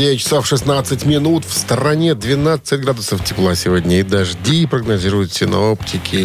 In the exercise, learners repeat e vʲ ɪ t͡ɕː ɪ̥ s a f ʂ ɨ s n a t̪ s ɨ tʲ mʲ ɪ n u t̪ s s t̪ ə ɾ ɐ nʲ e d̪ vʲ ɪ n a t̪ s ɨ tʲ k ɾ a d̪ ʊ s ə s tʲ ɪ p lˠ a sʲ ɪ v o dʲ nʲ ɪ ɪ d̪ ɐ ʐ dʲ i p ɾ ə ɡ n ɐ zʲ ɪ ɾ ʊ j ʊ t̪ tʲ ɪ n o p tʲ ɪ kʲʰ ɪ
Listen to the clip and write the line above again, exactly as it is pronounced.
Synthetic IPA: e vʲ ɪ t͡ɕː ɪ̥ s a f ʂ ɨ s n a t̪ s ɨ tʲ mʲ ɪ n u t̪ f s t̪ ə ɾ ɐ nʲ e d̪ vʲ ɪ n a t̪ s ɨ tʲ ɡ ɾ a d̪ ʊ s ə f tʲ ɪ p lˠ a sʲ ɪ v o dʲ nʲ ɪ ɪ d̪ ɐ ʐ dʲ i p ɾ ə ɡ n ɐ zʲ i ɾ ʊ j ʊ t̪ sʲ ɪ n o p tʲ ɪ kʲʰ ɪ